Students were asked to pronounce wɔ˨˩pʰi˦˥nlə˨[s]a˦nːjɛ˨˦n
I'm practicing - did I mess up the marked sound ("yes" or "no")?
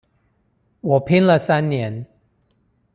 no